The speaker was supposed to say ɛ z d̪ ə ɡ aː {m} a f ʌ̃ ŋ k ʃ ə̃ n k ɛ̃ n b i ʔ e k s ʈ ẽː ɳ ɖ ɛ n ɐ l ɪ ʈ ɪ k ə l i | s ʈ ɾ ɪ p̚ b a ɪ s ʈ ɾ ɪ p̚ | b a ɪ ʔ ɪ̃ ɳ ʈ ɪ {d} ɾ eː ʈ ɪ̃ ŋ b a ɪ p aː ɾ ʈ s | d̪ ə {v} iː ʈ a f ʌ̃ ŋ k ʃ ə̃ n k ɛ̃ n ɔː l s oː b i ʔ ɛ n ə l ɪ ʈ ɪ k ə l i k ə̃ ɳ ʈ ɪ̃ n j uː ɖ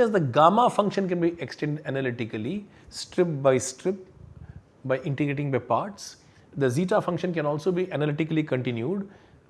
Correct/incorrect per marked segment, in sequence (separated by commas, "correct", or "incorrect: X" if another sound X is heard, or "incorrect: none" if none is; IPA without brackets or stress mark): correct, incorrect: ɡ, incorrect: z